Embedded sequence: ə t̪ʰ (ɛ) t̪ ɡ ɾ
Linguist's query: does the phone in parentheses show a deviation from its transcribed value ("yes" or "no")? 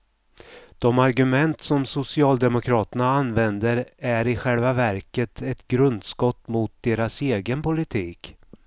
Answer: no